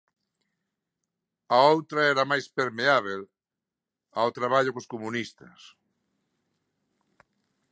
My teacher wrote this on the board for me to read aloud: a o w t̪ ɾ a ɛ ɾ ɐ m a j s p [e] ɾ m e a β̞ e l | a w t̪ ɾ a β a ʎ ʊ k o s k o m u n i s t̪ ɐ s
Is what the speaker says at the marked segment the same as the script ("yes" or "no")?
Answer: yes